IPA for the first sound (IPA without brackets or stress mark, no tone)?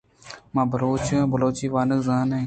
m